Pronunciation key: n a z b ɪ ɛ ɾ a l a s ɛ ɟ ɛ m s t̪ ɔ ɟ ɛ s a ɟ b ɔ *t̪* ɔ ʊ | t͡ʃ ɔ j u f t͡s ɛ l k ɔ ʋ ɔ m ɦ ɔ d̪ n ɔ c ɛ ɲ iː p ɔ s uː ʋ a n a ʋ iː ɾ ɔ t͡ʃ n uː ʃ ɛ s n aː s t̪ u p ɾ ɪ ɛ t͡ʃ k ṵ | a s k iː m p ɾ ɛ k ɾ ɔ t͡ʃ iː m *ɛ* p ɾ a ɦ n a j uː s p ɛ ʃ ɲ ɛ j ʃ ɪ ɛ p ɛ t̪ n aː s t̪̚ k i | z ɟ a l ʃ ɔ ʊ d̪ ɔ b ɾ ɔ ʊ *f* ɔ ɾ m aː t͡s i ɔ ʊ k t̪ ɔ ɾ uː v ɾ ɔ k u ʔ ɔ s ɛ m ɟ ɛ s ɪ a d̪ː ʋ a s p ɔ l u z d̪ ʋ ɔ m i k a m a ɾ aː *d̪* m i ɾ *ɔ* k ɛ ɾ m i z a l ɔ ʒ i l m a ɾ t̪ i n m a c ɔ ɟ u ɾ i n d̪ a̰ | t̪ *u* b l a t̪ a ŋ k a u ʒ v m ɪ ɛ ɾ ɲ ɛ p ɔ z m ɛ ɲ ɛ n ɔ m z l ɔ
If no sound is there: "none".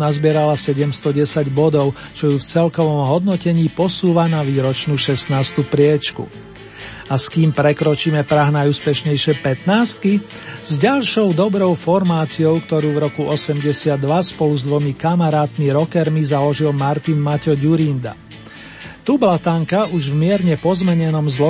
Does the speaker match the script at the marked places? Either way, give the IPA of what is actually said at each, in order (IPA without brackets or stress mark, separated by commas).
d̪, ɛ, f, t̪, ɔ, u